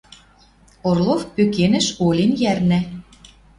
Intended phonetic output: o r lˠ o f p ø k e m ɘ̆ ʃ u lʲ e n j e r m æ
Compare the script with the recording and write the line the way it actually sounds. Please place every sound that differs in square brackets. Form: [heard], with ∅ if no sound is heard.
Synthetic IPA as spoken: o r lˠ o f p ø k e [n] ɘ̆ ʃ [o] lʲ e n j [æ] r [n] æ